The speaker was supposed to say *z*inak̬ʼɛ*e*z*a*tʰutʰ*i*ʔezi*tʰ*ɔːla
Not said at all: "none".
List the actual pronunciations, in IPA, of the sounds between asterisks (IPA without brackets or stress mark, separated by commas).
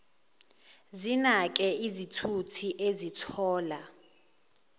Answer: z, i, i, i, tʰ